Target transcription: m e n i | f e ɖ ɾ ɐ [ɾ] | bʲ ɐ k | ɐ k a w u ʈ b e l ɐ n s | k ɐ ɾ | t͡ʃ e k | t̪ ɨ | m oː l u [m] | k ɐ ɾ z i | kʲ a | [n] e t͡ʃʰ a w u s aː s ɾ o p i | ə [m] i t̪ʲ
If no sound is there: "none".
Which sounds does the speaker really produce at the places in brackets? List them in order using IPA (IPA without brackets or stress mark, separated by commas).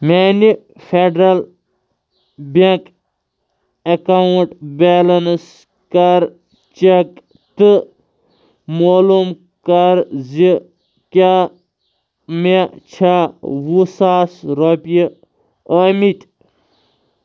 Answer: l, m, m, m